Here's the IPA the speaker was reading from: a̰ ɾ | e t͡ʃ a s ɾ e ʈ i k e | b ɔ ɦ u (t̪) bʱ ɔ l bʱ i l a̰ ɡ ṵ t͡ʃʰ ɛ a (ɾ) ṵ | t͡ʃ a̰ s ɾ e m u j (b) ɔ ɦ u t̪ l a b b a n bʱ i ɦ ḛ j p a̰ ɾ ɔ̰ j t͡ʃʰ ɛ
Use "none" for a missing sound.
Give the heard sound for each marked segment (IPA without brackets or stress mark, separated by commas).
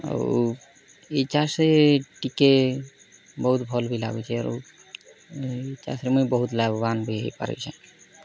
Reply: t̪, ɾ, b